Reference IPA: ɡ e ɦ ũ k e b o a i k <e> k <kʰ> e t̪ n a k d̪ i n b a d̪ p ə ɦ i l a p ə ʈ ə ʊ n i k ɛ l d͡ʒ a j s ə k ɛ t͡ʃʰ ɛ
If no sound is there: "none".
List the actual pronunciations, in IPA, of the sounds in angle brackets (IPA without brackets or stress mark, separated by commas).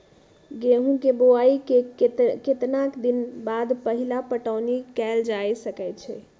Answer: e, k